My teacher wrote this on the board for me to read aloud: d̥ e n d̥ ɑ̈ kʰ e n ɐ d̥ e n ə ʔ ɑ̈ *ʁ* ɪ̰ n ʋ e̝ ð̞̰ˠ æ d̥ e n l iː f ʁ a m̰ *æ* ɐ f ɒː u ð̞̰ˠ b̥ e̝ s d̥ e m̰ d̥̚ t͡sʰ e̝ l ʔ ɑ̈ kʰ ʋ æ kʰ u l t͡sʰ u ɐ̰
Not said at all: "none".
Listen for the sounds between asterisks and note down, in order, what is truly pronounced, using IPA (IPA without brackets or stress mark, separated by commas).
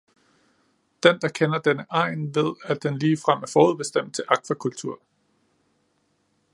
none, æ